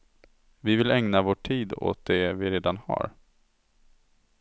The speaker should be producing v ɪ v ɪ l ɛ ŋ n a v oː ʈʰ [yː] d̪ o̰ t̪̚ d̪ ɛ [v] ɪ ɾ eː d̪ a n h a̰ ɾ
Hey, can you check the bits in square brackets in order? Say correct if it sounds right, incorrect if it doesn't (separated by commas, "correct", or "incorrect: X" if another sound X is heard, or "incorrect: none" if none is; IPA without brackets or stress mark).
incorrect: iː, correct